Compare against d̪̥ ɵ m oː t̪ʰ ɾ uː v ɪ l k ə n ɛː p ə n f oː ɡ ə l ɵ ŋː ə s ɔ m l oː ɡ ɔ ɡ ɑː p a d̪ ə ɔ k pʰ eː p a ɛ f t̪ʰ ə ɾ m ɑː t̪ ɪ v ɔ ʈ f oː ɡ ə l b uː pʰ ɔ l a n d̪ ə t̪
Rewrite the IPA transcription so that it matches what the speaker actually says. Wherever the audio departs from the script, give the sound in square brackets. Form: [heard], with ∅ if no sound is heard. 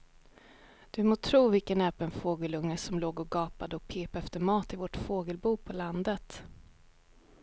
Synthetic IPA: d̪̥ ɵ m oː t̪ʰ ɾ uː v ɪ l k ə n ɛː p ə n f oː ɡ ə l ɵ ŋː ə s ɔ m l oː ɡ ɔ ɡ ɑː p a d̪ ə ɔ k pʰ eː p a ɛ f [t̪] ə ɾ m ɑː t̪ ɪ v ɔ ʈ f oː ɡ ə l b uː pʰ ɔ l a n d̪ ə t̪